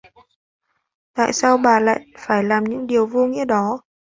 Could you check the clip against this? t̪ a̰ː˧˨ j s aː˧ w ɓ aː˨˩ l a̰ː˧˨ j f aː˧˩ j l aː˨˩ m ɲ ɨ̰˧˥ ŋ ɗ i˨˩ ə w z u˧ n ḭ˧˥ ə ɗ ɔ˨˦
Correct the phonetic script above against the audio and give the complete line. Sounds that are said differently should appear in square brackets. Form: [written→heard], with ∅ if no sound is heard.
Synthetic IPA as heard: t̪ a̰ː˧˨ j s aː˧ w ɓ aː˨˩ l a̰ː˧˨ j f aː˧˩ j l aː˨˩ m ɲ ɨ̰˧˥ ŋ ɗ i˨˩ ə w [z→v] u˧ [n→ŋ] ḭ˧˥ ə ɗ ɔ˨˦